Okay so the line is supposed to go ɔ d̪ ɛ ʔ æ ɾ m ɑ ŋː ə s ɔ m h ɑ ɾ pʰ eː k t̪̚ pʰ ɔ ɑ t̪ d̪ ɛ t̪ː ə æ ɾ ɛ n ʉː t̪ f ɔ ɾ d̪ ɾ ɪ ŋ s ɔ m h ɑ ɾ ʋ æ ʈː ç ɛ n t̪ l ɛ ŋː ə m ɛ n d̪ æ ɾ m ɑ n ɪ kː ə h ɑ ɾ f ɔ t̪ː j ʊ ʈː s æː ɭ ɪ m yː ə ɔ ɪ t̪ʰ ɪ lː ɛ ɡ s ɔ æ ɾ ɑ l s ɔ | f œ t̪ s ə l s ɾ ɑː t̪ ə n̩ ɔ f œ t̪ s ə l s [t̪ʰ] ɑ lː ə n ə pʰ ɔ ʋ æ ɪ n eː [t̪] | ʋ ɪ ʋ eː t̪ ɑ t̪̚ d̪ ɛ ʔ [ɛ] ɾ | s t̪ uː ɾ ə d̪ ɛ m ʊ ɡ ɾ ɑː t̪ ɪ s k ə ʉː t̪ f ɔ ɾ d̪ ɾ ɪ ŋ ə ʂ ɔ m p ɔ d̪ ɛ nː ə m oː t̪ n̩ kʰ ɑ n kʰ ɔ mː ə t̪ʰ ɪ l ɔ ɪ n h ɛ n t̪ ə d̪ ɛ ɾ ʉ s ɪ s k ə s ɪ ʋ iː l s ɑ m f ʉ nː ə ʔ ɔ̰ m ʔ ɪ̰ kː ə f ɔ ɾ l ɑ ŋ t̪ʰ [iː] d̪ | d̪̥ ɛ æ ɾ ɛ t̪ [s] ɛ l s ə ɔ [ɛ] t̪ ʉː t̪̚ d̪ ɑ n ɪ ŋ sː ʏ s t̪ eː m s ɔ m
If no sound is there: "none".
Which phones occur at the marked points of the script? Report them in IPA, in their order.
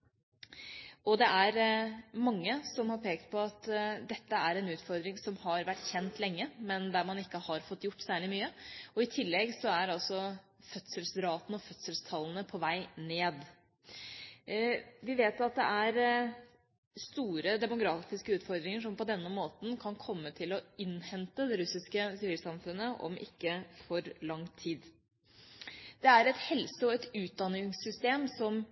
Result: t̪ʰ, d̪, æ, iː, h, ɛ

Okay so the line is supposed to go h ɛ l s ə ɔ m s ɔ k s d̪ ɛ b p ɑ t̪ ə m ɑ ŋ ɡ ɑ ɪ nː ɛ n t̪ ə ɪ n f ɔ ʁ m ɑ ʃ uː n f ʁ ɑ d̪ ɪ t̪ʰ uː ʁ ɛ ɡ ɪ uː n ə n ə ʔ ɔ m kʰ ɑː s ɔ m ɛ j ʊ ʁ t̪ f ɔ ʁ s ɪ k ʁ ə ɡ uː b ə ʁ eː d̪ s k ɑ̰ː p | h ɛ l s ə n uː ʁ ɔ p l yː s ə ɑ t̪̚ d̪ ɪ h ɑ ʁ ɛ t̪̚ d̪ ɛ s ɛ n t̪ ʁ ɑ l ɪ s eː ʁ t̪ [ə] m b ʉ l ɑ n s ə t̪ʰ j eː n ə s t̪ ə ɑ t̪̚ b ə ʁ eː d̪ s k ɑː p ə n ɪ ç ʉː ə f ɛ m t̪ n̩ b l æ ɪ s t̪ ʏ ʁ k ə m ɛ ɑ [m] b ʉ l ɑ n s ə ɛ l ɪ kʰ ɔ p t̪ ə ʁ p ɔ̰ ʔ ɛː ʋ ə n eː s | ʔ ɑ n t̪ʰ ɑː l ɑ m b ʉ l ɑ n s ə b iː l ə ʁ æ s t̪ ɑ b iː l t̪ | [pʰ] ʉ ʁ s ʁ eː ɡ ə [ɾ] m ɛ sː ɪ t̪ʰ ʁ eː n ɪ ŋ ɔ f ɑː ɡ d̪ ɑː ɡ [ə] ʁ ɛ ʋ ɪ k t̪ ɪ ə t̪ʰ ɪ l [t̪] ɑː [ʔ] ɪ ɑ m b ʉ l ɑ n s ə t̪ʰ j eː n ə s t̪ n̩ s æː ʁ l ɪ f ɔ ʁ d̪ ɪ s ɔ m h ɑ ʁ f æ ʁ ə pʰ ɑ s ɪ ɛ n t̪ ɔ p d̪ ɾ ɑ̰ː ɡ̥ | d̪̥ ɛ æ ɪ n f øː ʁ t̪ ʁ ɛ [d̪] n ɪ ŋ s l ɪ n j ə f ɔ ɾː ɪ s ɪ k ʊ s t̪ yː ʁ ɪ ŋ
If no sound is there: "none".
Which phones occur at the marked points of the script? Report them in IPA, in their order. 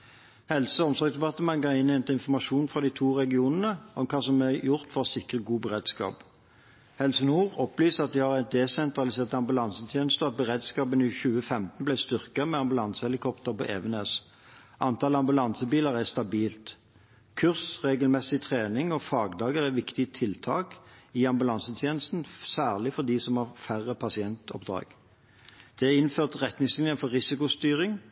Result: ɑ, m, kʰ, l, ə, t̪ʰ, k, t̪

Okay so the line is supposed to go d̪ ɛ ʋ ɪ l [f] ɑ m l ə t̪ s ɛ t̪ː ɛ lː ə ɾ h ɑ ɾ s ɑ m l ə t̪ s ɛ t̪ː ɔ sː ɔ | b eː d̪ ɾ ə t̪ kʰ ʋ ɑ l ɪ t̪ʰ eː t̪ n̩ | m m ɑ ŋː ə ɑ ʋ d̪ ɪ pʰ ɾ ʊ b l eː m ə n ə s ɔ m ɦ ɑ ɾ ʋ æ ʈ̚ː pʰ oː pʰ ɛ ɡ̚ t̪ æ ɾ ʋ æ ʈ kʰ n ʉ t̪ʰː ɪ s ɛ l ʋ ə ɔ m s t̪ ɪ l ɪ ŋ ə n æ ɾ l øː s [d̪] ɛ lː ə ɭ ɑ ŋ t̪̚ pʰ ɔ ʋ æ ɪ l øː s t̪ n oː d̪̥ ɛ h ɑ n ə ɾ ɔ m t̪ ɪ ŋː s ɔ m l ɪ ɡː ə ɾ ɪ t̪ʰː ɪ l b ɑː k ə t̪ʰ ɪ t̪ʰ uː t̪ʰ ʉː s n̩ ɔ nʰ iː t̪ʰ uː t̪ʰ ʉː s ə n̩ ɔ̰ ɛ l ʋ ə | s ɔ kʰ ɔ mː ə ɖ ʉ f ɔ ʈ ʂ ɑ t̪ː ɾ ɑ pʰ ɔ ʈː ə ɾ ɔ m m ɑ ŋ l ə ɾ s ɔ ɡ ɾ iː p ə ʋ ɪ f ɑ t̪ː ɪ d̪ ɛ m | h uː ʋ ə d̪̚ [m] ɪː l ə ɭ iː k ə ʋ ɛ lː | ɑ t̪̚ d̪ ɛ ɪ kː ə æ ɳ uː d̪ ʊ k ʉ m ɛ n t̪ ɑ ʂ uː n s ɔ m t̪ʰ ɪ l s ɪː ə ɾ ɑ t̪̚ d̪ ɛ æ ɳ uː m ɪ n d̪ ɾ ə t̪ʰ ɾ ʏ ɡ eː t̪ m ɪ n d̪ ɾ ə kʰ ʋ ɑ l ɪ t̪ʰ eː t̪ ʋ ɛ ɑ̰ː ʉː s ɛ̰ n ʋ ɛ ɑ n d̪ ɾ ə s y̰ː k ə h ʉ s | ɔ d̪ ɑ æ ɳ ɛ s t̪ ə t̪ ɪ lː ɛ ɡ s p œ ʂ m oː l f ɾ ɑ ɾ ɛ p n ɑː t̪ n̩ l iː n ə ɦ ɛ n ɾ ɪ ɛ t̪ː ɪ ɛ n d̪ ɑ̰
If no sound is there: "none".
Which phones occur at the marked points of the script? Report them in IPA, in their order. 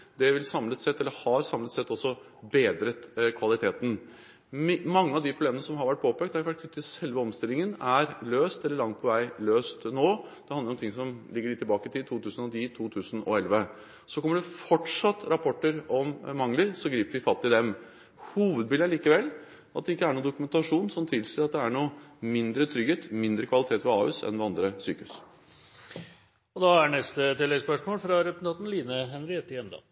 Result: s, t̪, b

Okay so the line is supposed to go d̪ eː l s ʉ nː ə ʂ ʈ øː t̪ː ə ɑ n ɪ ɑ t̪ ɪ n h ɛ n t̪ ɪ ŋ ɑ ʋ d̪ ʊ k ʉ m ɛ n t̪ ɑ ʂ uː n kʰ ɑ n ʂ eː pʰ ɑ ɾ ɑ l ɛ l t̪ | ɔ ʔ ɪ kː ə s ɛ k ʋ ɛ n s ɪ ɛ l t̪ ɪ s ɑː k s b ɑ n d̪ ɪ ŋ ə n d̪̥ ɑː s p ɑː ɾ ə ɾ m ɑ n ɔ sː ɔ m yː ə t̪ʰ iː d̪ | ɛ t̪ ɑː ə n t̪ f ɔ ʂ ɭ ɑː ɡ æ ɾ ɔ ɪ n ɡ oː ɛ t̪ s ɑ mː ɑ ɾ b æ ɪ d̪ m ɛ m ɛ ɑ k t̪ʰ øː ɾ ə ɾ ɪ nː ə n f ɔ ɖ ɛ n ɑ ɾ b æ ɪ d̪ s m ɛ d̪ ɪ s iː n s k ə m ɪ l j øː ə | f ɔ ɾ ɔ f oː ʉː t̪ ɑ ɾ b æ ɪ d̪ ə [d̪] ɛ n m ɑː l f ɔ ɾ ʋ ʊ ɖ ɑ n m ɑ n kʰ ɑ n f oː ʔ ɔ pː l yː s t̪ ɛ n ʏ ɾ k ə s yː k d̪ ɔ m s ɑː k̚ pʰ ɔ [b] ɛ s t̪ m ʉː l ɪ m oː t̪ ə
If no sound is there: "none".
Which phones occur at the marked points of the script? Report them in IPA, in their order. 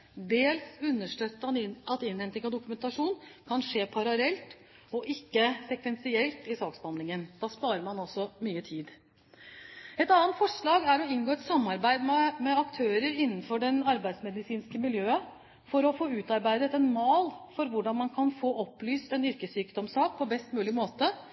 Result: t̪, b

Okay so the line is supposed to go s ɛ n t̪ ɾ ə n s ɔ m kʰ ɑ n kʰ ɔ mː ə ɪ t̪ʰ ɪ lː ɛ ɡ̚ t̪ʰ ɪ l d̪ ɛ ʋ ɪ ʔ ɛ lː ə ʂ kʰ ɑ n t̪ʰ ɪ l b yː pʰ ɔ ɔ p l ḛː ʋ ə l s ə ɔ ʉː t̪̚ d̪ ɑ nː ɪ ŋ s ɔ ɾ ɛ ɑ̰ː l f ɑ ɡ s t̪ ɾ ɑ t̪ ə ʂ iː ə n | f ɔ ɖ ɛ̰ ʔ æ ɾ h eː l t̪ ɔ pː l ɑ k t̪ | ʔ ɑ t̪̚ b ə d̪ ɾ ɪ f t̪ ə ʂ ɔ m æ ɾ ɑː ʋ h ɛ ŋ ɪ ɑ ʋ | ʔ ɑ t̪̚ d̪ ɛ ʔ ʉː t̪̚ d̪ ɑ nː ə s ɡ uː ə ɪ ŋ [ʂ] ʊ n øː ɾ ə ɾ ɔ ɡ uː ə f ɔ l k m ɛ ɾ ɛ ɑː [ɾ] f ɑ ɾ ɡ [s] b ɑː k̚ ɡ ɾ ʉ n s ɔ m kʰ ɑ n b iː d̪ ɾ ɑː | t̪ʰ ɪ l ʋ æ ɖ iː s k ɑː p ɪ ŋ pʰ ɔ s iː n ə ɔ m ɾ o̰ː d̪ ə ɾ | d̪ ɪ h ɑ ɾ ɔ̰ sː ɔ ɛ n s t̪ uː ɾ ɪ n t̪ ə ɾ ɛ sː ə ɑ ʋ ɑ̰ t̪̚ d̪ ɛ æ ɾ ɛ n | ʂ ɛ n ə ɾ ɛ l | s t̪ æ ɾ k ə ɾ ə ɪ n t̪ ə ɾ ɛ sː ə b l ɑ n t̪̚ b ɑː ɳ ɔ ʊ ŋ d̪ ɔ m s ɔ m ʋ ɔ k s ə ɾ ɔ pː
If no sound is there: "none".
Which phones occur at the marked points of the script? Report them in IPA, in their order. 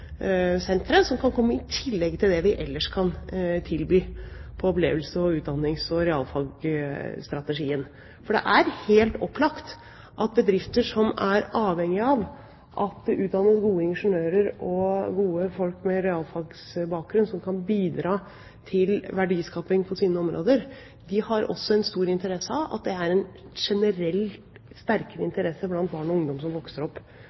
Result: ʂ, l, s

